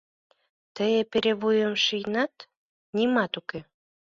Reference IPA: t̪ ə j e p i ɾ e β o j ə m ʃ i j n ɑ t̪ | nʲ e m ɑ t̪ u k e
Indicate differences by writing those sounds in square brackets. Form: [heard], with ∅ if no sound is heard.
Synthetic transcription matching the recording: t̪ ə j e p [e] ɾ e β [u] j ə m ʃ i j n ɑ t̪ | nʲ [i] m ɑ t̪ u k e